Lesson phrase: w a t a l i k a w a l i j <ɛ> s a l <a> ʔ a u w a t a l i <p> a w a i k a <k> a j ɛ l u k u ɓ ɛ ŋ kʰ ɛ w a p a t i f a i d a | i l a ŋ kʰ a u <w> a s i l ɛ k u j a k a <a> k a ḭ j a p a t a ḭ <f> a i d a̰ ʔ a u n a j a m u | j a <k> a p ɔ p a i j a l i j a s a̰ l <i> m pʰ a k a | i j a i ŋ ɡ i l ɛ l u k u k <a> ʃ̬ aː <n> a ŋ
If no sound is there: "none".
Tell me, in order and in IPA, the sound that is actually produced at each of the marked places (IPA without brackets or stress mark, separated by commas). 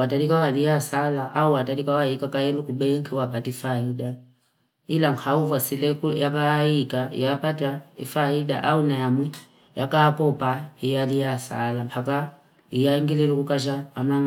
a, a, k, k, v, i, f, k, a, a, m